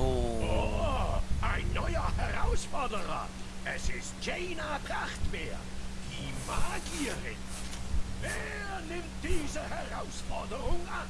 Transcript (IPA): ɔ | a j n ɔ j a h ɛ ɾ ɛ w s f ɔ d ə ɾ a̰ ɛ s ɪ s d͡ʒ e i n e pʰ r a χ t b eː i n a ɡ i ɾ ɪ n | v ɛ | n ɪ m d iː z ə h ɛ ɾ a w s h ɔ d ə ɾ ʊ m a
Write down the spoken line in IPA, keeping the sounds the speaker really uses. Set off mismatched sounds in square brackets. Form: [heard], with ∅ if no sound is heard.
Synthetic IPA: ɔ | a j n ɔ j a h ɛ ɾ [a] w s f ɔ d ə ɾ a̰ ɛ s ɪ s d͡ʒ e [j] n [a] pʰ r a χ t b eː i [m] a ɡ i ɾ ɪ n | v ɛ | n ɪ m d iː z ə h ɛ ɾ a w s [f] ɔ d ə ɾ ʊ [ŋ] a